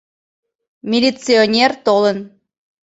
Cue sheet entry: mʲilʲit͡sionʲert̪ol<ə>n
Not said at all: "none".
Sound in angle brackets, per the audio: ə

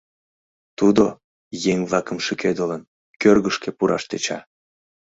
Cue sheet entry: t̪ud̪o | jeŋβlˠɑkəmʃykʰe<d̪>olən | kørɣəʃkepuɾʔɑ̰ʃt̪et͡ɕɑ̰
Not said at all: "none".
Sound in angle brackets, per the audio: d̪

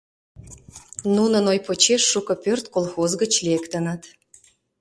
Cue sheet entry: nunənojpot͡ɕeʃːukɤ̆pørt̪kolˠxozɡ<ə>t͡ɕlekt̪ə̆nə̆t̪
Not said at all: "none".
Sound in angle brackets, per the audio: ə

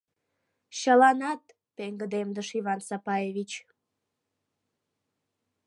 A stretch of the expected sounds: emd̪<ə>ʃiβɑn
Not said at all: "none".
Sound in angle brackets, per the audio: ə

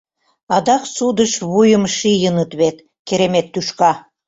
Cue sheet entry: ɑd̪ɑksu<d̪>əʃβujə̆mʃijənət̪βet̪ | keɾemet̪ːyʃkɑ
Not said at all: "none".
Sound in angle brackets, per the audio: d̪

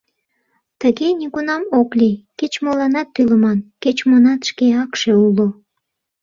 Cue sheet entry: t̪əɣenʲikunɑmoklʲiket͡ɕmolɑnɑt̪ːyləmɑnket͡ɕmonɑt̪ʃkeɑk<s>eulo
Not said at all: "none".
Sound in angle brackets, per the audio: ʃ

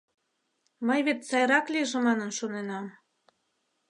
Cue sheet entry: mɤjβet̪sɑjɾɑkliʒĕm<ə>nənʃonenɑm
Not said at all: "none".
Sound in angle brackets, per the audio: ɑ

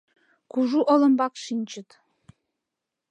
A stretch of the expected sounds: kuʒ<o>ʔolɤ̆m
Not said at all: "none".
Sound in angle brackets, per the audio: u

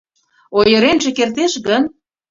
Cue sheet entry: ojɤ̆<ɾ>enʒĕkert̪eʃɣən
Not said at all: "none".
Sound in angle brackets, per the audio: ɾ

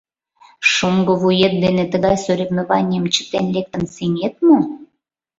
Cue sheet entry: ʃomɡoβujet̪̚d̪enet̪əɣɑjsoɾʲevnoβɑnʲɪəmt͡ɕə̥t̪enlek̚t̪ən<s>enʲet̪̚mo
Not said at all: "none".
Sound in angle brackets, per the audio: s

